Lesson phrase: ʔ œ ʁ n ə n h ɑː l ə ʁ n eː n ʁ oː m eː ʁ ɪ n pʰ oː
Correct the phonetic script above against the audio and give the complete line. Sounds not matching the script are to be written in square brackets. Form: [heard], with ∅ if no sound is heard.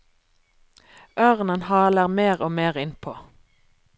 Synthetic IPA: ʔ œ ʁ n ə n h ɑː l ə ʁ [m] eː [∅] ʁ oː m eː ʁ ɪ n pʰ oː